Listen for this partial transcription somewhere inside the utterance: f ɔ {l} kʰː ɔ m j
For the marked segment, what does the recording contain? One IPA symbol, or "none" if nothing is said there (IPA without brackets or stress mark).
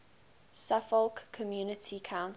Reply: l